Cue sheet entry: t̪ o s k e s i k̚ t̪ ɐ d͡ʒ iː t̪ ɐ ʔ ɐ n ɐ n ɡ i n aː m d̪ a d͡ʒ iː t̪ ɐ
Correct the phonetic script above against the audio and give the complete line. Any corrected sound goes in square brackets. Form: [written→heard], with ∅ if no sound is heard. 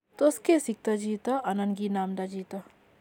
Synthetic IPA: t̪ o s k e s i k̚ t̪ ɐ d͡ʒ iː t̪ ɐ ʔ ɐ n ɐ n ɡ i n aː m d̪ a d͡ʒ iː t̪ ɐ

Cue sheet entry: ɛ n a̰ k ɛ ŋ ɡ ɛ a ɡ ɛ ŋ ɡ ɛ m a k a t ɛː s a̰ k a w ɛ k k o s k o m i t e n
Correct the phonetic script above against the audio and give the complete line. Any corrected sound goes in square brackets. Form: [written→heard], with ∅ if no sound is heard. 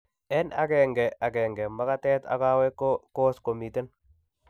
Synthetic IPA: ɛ n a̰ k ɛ ŋ ɡ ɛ a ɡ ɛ ŋ ɡ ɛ m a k a t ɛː [s→t] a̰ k a w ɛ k k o s k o m i t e n

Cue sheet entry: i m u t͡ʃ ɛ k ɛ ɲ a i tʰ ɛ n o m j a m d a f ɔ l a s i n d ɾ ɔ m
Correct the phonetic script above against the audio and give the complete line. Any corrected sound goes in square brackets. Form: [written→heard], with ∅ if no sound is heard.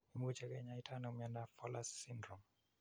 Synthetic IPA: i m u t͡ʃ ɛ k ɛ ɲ a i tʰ [ɛ→a] n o m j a [m→n] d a f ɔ l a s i n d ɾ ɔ m

